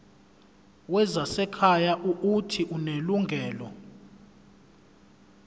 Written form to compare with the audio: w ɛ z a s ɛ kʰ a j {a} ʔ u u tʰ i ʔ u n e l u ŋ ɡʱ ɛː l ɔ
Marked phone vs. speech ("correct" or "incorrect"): correct